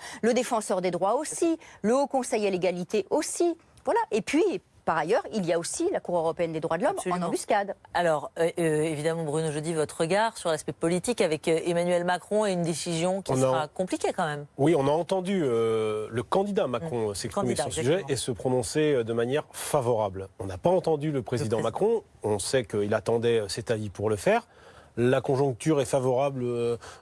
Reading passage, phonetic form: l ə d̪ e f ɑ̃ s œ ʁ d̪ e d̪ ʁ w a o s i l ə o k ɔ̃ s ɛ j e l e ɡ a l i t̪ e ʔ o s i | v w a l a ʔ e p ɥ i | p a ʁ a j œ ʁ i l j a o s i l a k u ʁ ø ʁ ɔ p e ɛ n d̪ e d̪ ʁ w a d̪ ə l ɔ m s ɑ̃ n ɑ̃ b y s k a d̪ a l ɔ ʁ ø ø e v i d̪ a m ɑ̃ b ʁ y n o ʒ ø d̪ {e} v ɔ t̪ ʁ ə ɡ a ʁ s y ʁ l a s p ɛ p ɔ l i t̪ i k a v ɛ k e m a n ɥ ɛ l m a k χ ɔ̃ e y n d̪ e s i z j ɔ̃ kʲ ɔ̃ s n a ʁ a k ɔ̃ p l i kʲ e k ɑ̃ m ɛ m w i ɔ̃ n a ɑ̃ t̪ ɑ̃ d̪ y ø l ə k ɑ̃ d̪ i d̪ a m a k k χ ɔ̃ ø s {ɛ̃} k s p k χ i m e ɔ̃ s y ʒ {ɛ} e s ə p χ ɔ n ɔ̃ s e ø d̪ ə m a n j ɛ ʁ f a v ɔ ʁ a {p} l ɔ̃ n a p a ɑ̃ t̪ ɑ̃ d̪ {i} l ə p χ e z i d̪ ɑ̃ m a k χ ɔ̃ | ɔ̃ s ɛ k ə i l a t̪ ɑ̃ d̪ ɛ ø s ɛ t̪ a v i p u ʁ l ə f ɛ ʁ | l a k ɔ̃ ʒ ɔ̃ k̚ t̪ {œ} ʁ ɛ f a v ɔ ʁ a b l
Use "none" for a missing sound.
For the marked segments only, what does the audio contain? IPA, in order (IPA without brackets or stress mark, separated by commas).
i, ɛ, ɛ, b, y, y